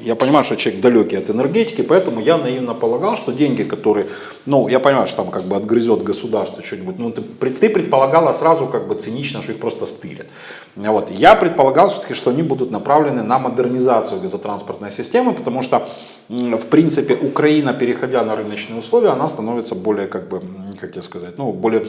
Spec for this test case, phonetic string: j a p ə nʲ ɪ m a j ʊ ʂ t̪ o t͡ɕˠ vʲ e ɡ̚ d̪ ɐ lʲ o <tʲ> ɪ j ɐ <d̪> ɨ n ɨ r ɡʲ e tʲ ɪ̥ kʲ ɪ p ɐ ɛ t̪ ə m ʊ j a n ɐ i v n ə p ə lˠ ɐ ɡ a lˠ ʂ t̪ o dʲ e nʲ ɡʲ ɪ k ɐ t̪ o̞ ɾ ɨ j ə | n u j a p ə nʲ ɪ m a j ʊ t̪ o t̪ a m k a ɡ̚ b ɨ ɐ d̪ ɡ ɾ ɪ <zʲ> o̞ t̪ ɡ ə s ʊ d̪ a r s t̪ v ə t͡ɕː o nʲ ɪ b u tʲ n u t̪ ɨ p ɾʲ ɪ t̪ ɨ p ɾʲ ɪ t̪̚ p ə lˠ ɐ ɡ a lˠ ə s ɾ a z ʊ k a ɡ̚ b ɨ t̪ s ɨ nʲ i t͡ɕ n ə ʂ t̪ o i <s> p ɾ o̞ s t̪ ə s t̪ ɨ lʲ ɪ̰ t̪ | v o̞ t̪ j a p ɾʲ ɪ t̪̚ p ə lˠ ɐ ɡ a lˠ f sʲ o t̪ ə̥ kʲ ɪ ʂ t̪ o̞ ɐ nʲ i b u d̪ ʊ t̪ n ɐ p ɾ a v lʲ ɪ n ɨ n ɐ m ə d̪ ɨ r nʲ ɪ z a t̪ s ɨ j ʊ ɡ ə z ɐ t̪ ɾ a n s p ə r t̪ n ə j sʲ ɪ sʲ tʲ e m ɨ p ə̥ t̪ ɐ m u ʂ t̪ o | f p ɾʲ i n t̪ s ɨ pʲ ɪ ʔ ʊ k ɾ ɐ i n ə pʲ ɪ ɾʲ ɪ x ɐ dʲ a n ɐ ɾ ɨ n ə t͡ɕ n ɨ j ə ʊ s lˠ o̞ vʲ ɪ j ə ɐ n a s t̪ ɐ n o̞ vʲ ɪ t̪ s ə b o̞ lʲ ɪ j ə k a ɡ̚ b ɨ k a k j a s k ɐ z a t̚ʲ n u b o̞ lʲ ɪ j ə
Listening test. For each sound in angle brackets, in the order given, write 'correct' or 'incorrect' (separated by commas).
incorrect, incorrect, correct, incorrect